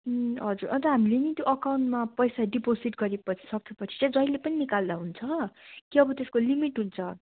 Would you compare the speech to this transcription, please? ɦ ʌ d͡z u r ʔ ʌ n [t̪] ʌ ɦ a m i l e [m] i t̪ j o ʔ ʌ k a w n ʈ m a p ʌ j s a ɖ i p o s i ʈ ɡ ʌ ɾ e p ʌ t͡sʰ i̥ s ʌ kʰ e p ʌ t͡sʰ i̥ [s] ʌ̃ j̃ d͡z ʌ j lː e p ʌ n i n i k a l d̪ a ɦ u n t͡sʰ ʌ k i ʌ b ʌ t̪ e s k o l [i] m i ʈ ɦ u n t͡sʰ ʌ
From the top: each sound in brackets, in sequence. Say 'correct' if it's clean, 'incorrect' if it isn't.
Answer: correct, incorrect, incorrect, correct

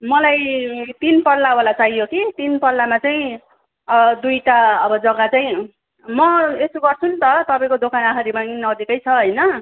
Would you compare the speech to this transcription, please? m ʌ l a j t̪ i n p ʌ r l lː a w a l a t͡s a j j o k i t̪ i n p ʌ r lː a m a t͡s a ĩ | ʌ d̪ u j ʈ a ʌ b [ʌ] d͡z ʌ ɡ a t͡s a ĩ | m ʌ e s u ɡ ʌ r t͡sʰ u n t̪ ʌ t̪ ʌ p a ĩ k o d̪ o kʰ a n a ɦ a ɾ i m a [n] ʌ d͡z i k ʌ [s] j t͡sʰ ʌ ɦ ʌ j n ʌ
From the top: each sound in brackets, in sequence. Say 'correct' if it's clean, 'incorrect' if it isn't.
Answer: correct, correct, incorrect

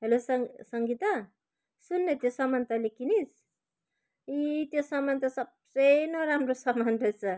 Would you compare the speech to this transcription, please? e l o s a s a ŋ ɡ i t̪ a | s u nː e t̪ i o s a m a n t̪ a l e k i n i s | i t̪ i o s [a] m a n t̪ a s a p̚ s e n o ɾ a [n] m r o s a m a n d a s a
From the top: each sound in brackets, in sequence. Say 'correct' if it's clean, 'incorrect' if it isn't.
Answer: correct, incorrect

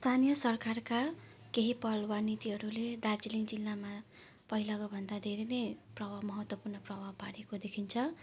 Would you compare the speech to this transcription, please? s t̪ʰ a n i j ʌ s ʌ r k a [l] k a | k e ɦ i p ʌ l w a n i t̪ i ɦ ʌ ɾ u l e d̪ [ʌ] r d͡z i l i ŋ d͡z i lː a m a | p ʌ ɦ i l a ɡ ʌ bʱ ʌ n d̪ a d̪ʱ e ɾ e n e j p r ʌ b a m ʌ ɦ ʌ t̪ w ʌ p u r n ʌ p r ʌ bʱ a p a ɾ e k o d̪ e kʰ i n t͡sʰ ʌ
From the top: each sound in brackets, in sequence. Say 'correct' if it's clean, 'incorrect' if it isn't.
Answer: incorrect, incorrect

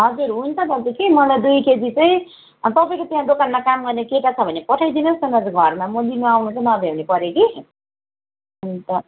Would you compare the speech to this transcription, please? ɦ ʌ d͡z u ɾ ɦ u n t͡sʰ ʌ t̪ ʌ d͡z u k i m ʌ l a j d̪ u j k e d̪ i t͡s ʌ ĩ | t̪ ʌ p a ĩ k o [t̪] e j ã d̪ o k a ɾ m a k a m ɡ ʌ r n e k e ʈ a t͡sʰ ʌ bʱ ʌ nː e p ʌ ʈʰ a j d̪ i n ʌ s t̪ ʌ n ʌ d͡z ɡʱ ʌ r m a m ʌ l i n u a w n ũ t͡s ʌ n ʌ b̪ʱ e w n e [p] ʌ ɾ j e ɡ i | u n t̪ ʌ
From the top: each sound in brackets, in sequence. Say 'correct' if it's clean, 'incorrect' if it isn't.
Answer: correct, correct

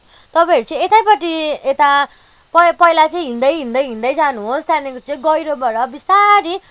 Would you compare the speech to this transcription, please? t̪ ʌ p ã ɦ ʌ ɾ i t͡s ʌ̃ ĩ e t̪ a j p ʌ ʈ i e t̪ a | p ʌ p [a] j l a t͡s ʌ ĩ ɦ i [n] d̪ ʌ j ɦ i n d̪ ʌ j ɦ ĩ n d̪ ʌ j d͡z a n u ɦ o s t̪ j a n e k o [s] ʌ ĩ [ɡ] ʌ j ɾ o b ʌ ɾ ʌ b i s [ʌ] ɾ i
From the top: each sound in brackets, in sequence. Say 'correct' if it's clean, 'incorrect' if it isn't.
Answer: incorrect, correct, incorrect, correct, incorrect

